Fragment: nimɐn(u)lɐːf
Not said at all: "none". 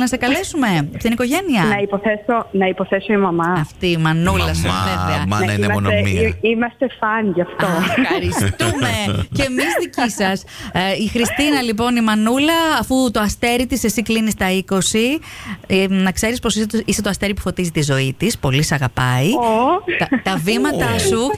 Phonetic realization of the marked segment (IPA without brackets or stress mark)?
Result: u